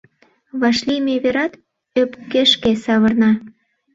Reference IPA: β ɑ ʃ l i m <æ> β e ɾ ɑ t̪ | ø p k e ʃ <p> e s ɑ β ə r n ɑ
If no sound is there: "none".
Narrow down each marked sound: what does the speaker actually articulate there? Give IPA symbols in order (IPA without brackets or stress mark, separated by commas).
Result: e, k